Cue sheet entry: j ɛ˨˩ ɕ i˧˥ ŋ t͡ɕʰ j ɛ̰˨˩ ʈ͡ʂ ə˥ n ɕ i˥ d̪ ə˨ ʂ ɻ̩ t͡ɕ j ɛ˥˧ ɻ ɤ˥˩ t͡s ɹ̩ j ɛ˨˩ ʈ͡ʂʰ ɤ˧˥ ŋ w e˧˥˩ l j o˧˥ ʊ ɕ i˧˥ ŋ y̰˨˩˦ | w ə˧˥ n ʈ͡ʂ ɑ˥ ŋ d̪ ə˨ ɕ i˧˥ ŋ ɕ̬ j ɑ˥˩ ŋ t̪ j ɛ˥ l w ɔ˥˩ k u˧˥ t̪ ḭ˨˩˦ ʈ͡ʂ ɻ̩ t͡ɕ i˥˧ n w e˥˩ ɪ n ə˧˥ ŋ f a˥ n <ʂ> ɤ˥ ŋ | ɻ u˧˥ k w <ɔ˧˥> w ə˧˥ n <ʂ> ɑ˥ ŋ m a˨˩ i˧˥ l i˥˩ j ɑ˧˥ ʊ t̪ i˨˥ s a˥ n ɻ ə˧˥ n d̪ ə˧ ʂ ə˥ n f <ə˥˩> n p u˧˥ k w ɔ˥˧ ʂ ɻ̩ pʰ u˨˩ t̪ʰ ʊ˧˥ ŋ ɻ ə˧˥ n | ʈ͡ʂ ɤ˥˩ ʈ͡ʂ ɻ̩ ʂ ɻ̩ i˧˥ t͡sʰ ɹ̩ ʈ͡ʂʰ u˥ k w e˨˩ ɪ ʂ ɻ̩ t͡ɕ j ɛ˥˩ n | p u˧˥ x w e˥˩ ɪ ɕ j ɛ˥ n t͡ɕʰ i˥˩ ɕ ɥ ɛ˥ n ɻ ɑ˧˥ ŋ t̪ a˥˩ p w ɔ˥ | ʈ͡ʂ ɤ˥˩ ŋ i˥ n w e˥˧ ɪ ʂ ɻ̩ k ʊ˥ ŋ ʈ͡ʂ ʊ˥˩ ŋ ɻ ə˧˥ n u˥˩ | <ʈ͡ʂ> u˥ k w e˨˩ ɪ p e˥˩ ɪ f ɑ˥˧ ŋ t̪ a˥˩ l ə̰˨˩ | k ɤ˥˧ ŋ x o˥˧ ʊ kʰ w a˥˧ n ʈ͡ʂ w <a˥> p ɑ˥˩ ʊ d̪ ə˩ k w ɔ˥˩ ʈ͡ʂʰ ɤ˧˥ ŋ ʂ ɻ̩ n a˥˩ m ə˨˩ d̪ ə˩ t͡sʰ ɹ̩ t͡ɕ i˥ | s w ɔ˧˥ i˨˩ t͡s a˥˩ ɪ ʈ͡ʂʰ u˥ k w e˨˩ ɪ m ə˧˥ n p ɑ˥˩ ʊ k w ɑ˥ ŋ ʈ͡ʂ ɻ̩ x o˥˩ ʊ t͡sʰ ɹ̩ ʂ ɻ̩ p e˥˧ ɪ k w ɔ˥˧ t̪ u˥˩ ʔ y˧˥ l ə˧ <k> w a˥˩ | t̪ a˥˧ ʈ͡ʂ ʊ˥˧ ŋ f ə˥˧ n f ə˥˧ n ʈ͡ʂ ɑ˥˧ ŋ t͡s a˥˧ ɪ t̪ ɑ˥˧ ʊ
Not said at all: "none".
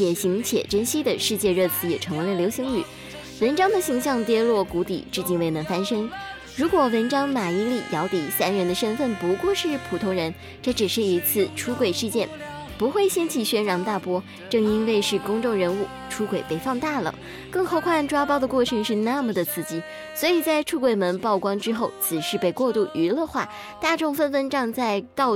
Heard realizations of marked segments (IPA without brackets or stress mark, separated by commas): ʂ, ɔ˨˩, ʈ͡ʂ, ə˥˩, ʈ͡ʂʰ, a˥, x